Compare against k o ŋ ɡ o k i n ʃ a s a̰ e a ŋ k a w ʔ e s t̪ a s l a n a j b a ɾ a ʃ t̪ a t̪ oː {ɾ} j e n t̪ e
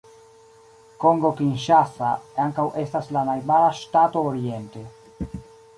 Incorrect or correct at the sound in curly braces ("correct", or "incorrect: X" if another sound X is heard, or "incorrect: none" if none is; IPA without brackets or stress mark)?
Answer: correct